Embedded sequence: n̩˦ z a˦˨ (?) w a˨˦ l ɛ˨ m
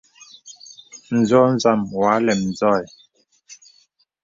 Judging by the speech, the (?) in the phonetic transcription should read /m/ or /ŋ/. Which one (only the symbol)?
m